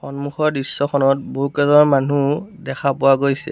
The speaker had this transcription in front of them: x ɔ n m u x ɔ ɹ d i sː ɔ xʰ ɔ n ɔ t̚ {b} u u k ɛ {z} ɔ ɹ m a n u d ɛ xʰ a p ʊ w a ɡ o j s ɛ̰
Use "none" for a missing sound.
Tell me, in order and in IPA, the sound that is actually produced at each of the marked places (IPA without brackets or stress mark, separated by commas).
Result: b, z